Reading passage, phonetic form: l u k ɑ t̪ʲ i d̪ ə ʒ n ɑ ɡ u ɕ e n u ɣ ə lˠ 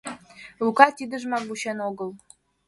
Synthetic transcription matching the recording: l u k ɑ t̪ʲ i d̪ ə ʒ m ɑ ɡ u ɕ e n o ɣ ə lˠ